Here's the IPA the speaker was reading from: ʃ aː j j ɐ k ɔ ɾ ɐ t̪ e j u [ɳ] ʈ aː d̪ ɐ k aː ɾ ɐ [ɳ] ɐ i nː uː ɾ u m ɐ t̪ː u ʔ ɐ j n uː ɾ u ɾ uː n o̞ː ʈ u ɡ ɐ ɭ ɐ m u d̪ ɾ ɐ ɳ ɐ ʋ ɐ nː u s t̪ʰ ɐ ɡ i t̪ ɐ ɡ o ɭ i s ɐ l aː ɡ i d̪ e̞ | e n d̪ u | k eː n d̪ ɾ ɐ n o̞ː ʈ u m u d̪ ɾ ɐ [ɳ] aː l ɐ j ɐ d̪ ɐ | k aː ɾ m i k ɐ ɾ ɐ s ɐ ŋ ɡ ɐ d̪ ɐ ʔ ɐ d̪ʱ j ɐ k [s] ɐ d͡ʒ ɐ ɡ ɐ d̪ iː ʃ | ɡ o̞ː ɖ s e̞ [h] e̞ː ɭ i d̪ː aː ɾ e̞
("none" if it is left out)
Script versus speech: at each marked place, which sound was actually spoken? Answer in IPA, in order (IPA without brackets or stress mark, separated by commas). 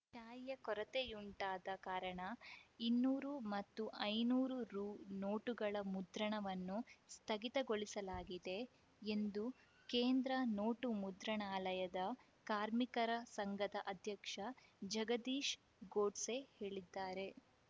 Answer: ɳ, ɳ, ɳ, ʂ, h